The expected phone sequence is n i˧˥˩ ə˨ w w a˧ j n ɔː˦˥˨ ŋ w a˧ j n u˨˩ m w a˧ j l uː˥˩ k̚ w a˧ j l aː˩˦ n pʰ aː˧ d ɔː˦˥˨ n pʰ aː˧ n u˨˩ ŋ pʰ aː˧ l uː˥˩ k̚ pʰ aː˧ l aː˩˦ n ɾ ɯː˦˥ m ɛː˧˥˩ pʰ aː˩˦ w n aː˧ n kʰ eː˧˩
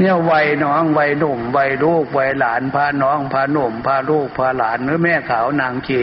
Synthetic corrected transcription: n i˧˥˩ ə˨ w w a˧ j n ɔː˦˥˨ ŋ w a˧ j n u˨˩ m w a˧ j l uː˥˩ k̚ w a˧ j l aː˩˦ n pʰ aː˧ n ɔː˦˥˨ ŋ pʰ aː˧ n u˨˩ m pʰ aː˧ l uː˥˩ k̚ pʰ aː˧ l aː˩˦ n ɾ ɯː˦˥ m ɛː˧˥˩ kʰ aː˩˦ w n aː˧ ŋ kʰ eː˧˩